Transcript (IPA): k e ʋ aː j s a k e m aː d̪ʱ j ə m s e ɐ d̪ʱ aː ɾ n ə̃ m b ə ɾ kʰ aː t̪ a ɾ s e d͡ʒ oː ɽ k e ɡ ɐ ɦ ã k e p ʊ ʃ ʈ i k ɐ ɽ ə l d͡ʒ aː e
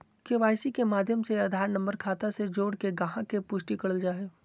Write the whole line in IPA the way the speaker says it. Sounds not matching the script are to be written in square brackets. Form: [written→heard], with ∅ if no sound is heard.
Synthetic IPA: k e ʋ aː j s [a→i] k e m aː d̪ʱ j ə m s e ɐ d̪ʱ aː ɾ n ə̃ m b ə ɾ kʰ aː t̪ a [ɾ→∅] s e d͡ʒ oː ɽ k e ɡ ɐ ɦ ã k e p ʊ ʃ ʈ i k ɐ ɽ ə l d͡ʒ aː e